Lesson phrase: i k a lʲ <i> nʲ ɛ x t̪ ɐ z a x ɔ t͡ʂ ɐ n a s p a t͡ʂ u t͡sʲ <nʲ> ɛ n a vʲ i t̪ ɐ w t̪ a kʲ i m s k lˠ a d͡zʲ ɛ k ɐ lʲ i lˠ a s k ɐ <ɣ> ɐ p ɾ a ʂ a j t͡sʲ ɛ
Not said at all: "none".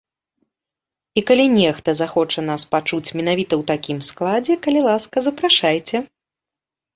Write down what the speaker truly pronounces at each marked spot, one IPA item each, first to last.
i, mʲ, z

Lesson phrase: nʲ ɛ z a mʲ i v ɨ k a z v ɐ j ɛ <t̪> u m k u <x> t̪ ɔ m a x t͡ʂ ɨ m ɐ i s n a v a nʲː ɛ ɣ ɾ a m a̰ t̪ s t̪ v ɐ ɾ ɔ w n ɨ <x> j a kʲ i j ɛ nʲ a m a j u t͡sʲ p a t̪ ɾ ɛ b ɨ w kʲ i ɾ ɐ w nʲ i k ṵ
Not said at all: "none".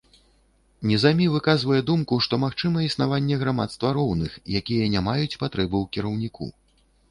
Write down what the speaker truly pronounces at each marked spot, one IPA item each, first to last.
d̪, ʂ, x

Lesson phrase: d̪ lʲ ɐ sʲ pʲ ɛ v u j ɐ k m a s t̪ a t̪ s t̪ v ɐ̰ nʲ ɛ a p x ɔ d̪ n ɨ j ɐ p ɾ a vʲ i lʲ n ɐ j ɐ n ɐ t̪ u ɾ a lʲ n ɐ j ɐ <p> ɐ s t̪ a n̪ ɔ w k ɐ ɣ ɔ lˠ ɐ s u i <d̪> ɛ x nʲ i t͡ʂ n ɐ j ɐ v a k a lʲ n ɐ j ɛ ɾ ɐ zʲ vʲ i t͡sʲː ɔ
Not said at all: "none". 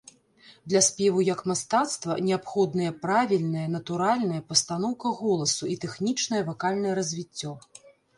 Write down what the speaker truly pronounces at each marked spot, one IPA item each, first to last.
p, t̪

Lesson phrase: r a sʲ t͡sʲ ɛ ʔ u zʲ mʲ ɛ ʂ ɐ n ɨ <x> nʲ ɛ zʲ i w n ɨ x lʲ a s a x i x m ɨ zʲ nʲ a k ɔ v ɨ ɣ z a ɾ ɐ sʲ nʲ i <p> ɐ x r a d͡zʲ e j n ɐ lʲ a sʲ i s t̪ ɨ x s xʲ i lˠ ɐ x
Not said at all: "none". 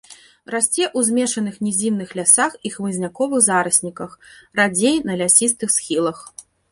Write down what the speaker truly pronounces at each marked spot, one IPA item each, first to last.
x, k

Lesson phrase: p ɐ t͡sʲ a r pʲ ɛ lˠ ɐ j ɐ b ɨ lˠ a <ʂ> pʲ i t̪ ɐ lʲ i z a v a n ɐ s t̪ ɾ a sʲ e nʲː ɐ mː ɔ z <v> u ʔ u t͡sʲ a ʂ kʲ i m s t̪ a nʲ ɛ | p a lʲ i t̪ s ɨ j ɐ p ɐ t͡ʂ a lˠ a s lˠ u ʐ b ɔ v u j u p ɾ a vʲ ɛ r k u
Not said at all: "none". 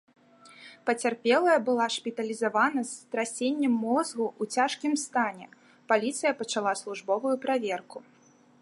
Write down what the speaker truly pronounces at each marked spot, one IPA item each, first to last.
ʂ, ɣ

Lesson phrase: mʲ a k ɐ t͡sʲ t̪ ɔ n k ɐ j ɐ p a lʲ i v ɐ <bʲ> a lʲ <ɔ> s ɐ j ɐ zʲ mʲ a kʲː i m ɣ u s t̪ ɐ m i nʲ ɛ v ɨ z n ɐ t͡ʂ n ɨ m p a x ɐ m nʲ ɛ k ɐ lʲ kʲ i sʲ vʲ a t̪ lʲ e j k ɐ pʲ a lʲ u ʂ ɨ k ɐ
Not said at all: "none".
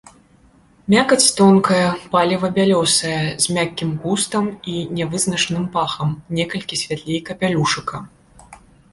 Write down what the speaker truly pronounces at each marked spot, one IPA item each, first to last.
bʲ, ɔ

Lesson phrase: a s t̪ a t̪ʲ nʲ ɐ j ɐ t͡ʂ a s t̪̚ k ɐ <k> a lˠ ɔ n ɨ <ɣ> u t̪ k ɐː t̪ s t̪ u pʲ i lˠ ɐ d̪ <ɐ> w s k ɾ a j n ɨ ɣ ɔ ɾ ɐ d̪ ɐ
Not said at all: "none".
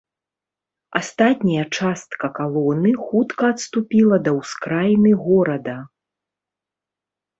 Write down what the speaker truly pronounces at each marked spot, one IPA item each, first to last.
k, x, ɐ

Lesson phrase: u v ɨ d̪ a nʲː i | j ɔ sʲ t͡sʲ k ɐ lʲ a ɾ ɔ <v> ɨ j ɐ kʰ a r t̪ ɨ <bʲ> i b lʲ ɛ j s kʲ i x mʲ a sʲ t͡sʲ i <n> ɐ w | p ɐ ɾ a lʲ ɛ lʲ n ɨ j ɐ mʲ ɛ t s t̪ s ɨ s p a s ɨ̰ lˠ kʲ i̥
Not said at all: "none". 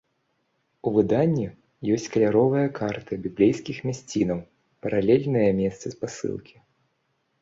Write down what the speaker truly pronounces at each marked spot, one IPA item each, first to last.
v, bʲ, n

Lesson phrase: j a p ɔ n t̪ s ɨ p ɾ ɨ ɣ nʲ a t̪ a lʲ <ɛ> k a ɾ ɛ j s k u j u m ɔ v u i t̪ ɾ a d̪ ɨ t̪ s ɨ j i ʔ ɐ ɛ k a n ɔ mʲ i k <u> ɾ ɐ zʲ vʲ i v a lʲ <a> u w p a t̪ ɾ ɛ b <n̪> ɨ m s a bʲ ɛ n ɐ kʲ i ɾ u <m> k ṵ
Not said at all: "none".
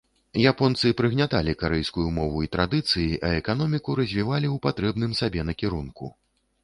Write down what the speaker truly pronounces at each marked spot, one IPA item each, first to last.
i, u, i, n̪, n

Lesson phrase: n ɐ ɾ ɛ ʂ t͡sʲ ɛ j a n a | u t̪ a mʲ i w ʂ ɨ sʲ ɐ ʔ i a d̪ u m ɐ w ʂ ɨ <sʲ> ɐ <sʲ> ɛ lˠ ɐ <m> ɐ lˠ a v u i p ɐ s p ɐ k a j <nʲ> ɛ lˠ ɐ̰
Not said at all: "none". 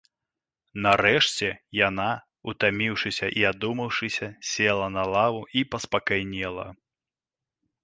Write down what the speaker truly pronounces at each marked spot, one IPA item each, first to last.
sʲ, sʲ, n, nʲ

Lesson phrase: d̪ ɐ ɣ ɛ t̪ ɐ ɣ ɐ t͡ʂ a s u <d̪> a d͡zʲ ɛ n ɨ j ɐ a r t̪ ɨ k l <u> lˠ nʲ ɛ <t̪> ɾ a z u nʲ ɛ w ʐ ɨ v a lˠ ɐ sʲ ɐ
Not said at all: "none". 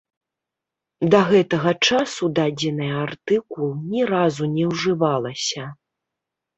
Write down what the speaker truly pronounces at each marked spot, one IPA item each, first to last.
d̪, u, none

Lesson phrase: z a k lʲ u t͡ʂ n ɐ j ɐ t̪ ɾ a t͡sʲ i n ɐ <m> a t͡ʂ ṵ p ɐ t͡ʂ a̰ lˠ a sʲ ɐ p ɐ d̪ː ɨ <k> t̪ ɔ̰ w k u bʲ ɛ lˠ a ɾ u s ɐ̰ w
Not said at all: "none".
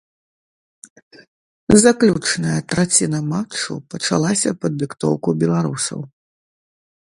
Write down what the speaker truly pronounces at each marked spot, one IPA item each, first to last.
m, k

